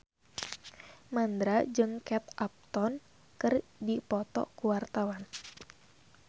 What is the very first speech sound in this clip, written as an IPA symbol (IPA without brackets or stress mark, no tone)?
m